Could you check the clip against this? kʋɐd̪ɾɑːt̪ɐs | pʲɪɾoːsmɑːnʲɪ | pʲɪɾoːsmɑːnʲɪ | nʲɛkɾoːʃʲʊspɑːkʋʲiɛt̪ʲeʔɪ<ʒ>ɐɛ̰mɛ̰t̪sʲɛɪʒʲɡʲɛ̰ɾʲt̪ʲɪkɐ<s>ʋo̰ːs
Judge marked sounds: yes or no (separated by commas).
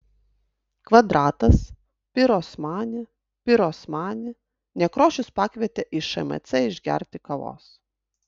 no, no